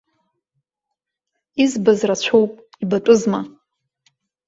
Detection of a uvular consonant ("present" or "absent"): absent